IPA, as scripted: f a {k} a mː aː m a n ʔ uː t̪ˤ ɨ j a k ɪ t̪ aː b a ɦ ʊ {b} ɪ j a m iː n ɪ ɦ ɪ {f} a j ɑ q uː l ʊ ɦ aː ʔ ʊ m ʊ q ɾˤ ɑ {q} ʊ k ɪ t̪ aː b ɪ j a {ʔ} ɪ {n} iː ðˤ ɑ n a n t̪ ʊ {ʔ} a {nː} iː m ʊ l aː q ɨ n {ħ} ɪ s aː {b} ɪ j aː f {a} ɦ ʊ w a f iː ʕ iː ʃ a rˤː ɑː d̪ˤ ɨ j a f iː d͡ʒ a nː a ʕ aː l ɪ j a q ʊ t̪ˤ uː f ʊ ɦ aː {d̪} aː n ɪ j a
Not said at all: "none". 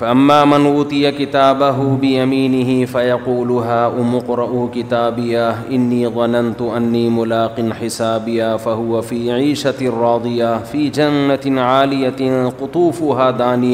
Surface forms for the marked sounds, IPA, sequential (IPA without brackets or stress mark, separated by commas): ʔ, b, f, ʔ, ʔ, nː, ʔ, nː, ħ, b, a, d̪